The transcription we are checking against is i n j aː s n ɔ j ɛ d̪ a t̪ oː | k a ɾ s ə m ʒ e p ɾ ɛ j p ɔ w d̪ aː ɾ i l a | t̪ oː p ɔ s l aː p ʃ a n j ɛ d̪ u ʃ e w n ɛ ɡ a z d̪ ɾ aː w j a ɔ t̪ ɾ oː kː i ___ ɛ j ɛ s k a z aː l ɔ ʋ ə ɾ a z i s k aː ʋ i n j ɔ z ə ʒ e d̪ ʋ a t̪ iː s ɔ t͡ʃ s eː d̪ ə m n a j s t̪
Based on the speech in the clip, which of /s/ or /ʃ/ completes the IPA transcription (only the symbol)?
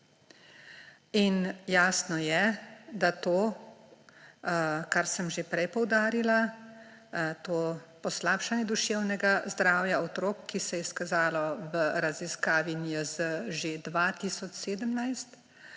s